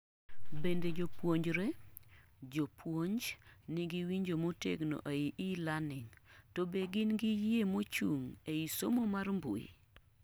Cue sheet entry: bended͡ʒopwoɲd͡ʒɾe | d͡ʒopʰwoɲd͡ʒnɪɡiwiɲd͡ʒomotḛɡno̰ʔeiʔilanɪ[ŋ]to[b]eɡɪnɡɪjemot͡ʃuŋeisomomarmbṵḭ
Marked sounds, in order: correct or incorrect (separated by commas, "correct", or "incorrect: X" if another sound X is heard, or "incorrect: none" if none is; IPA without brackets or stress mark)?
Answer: correct, correct